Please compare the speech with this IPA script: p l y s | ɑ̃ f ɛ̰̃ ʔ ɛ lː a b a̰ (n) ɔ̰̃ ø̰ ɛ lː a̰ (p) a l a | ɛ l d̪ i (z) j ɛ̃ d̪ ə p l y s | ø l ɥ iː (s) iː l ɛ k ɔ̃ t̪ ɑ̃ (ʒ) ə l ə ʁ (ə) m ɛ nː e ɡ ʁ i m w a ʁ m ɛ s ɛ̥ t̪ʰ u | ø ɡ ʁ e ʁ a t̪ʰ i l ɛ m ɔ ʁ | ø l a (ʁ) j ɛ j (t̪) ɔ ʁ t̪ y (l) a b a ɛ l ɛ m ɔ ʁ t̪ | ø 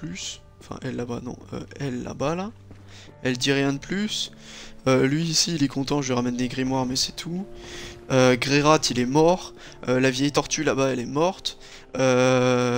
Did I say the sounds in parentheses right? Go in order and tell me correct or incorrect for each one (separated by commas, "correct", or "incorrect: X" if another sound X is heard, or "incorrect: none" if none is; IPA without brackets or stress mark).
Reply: correct, incorrect: b, incorrect: ʁ, correct, correct, incorrect: a, incorrect: v, correct, correct